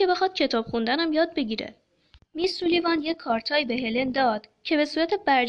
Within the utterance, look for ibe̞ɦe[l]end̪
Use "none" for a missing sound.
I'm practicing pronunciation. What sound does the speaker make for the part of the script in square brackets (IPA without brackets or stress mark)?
l